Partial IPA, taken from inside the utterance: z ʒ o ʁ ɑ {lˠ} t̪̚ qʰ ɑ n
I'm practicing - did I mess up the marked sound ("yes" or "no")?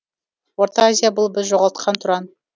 no